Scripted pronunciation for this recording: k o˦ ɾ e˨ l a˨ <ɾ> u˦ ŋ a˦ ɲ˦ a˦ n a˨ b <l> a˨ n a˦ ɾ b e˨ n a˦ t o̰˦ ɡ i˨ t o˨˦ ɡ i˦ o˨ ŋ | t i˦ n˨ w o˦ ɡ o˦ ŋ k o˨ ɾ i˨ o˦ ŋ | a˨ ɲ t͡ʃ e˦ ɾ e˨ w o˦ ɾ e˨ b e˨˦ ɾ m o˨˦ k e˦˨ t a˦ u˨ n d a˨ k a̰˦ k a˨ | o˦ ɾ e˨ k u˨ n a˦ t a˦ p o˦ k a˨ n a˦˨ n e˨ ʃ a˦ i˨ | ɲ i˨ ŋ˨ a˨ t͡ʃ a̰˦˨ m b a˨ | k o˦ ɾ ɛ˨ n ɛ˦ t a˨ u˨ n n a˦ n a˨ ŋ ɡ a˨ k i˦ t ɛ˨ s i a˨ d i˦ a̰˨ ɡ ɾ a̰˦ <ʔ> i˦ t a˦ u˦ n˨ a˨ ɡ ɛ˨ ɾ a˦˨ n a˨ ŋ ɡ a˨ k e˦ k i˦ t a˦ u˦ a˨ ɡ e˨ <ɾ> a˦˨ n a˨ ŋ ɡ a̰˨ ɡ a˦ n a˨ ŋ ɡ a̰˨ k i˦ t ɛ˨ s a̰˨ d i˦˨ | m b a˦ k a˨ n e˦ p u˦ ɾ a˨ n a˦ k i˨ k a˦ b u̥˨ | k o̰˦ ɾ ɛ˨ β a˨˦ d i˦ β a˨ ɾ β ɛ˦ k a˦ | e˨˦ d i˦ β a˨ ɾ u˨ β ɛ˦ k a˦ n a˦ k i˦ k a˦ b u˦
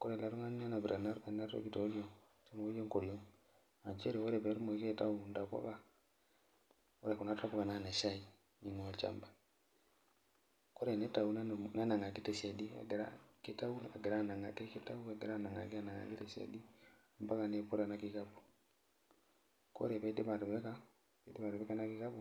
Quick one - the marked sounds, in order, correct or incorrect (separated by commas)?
correct, incorrect, incorrect, correct